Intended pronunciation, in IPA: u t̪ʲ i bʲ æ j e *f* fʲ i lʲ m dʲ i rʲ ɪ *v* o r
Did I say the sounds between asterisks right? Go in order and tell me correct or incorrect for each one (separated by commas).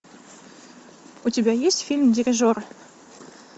incorrect, incorrect